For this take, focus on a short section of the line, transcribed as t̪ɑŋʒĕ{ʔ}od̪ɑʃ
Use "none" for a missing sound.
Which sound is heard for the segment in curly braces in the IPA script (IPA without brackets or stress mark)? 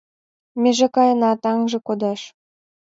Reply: k